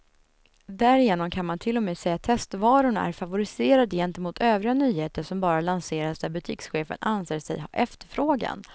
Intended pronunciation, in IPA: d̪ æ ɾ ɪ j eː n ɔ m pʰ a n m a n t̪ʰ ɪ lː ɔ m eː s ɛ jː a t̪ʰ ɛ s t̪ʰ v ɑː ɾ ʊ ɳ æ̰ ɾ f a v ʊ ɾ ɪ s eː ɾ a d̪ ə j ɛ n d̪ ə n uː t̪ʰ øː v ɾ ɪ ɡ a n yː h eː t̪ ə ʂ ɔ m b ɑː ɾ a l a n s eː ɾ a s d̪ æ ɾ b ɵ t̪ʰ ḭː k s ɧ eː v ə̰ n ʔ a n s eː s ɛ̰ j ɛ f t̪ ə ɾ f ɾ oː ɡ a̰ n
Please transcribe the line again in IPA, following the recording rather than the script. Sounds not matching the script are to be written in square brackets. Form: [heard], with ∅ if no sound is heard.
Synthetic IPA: d̪ æ ɾ ɪ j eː n ɔ m [kʰ] a n m a n t̪ʰ ɪ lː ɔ m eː s ɛ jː a t̪ʰ ɛ s [t̪] v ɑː ɾ ʊ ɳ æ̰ ɾ f a v ʊ ɾ ɪ s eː ɾ a d̪ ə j ɛ n [t̪] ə [m] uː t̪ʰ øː v ɾ ɪ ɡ a n yː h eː t̪ ə ʂ ɔ m b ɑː ɾ a l a n s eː ɾ a s d̪ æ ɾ b ɵ t̪ʰ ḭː k s ɧ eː [f] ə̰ n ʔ a n s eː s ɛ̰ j ɛ f t̪ ə ɾ f ɾ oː ɡ a̰ n